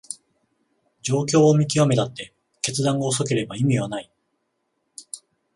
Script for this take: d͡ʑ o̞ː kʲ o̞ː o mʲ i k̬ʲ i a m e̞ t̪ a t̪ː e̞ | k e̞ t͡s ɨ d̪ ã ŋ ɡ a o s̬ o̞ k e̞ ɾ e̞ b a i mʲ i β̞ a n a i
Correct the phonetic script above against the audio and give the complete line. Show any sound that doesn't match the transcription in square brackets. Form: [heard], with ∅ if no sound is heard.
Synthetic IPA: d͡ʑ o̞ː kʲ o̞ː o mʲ i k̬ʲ i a m e̞ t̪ a t̪ː e̞ | k e̞ t͡s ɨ d̪ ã ŋ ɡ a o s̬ o̞ k e̞ ɾ e̞ b a i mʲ i β̞ a n a i